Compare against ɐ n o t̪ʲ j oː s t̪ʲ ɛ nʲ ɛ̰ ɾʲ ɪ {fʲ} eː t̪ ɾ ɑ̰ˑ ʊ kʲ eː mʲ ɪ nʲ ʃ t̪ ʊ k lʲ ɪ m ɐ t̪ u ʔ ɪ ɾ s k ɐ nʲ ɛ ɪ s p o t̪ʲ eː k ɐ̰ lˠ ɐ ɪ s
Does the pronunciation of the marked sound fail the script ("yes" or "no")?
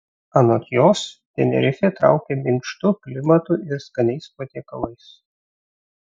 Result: no